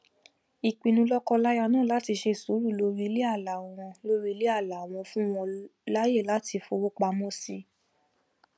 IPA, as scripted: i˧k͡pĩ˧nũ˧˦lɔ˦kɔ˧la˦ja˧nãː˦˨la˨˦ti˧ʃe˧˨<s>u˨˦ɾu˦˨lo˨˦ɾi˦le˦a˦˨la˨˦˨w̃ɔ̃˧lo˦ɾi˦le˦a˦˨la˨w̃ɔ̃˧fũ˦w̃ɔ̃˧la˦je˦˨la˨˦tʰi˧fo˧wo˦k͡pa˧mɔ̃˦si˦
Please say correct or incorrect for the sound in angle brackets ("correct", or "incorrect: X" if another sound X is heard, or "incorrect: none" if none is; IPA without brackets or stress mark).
correct